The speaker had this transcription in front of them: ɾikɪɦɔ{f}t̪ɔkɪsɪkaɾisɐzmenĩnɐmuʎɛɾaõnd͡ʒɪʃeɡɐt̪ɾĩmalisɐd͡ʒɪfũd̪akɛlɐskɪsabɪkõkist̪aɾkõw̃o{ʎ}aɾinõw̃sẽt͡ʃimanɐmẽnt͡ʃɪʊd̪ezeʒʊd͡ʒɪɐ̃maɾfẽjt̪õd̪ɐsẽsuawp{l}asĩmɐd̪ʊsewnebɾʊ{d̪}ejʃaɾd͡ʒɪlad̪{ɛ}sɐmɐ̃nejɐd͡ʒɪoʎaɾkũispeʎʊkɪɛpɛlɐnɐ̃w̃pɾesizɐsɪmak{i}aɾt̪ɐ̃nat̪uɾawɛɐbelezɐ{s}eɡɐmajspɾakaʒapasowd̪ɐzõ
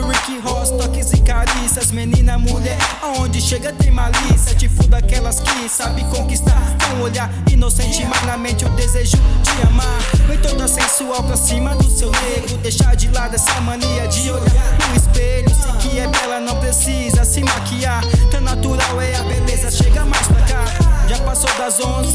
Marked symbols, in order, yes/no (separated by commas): no, yes, no, yes, yes, yes, no